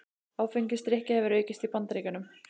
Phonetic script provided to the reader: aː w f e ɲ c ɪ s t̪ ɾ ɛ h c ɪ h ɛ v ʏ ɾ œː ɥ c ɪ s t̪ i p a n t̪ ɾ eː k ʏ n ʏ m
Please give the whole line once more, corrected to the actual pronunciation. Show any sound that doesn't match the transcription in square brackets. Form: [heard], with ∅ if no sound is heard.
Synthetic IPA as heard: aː w f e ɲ c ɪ s t̪ ɾ ɛ h c ɪ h ɛ v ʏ ɾ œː ɥ c ɪ s t̪ i p a n t̪ ɾ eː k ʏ n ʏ m